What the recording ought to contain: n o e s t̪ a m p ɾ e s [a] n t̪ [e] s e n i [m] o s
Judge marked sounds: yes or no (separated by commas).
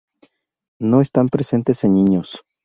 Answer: no, yes, no